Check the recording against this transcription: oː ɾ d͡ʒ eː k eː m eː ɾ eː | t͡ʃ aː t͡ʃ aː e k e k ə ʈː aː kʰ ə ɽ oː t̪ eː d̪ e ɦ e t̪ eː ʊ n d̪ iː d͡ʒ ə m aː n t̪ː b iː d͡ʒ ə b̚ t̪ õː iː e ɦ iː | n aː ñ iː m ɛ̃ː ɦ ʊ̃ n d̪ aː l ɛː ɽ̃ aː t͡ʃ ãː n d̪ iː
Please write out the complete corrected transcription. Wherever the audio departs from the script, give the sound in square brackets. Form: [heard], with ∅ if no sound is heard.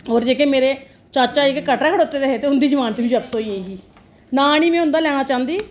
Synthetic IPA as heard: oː ɾ d͡ʒ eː k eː m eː ɾ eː | t͡ʃ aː t͡ʃ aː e k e k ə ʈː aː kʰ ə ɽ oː t̪ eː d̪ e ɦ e t̪ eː ʊ n d̪ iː d͡ʒ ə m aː n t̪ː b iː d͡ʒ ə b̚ t̪ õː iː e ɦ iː | n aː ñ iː m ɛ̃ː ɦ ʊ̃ n d̪ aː l ɛː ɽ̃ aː t͡ʃ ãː n d̪ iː